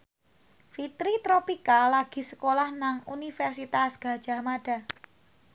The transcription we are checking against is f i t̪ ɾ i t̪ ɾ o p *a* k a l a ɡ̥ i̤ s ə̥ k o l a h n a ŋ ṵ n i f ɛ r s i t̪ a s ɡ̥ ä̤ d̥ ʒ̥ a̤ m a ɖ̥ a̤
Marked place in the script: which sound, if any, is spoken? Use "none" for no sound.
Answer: i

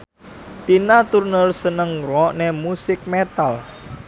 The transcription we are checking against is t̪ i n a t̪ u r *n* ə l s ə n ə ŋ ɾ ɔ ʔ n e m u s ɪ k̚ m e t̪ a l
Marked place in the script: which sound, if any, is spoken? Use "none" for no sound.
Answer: n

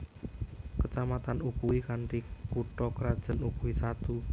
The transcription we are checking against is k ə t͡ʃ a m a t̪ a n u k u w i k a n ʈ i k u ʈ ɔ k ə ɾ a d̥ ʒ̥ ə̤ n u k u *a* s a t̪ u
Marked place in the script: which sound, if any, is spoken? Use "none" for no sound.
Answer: i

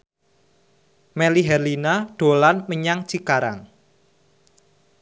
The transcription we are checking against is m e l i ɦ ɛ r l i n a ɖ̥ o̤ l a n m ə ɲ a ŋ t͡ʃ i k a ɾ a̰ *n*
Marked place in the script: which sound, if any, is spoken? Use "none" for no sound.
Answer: ŋ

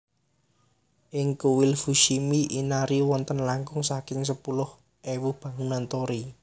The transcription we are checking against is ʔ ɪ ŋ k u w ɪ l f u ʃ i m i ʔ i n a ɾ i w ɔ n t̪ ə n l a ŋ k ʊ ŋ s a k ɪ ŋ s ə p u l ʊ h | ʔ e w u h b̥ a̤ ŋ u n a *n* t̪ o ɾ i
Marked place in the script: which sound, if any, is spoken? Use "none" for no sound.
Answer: n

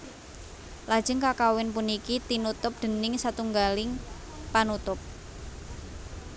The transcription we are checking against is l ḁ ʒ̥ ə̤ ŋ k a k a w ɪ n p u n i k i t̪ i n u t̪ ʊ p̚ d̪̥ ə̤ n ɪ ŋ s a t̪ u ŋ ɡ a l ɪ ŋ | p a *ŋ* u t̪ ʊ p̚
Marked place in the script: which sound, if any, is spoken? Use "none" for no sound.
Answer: n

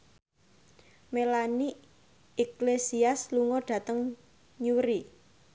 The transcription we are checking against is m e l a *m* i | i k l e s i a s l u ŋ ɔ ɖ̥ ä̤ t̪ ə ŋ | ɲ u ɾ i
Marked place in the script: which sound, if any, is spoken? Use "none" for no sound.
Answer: n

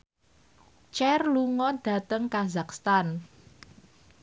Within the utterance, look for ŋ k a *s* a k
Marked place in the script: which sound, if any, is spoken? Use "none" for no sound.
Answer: z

